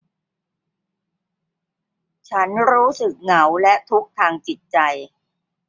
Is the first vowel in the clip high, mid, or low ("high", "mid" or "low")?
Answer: low